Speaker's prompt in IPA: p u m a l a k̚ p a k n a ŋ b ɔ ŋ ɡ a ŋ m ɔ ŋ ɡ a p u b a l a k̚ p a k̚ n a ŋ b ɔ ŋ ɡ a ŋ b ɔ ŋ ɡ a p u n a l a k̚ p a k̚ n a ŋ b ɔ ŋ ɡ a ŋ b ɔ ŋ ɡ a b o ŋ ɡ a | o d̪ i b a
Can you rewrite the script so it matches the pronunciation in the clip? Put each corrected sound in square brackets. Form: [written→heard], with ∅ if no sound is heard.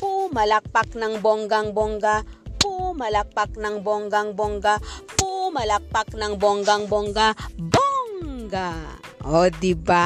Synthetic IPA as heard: p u m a l a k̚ p a k n a ŋ b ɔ ŋ ɡ a ŋ [m→b] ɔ ŋ ɡ a p u [b→m] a l a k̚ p a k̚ n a ŋ b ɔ ŋ ɡ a ŋ b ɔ ŋ ɡ a p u [n→m] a l a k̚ p a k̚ n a ŋ b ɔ ŋ ɡ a ŋ b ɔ ŋ ɡ a b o ŋ ɡ a | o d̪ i b a